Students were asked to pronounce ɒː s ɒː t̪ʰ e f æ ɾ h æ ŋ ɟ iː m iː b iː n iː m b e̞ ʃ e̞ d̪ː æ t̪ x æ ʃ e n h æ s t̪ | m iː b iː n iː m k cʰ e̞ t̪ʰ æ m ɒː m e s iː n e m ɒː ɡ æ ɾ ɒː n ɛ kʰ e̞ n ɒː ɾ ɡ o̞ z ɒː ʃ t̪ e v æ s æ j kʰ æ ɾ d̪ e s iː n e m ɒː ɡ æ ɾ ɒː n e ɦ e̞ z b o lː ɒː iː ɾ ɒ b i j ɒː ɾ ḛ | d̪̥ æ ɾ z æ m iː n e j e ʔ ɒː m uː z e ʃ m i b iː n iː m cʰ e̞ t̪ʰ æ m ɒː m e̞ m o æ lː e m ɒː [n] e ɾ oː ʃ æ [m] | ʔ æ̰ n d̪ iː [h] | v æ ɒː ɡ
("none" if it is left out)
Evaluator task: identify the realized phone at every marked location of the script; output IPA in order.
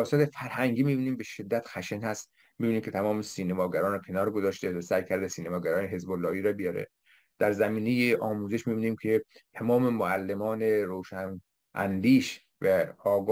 n, n, ʃ

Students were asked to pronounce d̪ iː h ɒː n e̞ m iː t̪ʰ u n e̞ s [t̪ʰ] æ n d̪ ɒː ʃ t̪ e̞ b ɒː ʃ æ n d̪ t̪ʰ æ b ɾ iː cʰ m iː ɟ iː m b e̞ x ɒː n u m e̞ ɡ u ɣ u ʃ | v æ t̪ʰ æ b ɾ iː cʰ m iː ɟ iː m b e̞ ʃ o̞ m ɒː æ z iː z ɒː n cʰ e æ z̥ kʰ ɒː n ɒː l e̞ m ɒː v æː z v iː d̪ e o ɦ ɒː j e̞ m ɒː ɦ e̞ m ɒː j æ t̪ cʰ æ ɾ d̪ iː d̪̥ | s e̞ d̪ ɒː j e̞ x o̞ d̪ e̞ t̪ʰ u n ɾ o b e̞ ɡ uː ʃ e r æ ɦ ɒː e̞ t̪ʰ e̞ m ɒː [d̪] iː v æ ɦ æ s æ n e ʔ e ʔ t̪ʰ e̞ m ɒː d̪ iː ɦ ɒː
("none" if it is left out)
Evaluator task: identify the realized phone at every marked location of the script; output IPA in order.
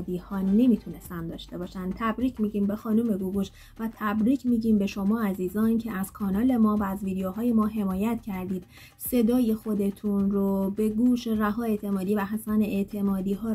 t̪, d̪

